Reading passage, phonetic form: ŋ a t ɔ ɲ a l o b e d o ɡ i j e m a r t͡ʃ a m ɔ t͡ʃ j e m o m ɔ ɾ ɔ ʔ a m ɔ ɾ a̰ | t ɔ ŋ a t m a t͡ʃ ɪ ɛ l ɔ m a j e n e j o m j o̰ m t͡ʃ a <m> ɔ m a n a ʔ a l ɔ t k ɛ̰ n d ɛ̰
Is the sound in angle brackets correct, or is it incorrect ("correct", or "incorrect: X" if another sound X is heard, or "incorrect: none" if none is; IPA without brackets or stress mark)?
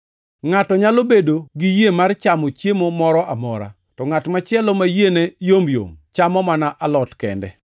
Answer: correct